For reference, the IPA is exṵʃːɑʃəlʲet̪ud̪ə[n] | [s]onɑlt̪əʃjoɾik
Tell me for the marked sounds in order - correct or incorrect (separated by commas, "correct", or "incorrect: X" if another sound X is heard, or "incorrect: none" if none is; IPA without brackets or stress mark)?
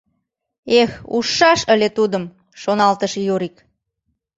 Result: incorrect: m, incorrect: ʃ